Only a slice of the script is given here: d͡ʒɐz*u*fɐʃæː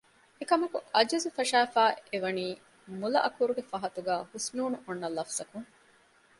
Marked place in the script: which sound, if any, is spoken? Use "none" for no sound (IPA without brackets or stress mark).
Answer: u